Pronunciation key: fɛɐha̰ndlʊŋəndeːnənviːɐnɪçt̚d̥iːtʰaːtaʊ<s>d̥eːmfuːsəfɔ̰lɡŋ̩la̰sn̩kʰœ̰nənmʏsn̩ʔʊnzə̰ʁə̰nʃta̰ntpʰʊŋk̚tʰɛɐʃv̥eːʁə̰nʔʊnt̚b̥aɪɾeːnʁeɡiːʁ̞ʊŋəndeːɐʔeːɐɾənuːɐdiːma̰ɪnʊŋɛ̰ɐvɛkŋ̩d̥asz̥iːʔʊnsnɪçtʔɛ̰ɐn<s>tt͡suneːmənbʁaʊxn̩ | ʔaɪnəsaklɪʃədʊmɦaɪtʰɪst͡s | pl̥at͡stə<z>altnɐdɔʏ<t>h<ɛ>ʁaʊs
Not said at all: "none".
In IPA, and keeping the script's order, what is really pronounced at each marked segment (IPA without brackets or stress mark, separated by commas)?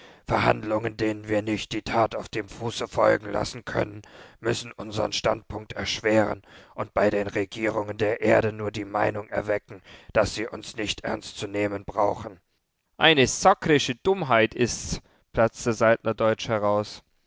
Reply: f, s, z, t͡ʃ, ɛ